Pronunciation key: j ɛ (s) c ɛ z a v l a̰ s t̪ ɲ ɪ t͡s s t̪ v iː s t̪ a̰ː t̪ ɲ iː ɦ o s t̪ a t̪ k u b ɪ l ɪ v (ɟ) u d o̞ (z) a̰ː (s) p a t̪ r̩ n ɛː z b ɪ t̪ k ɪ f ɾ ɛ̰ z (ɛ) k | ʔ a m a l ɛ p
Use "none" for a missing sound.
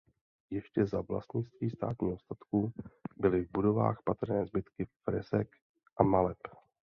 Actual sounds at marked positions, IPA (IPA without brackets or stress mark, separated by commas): ʃ, b, v, x, ɛ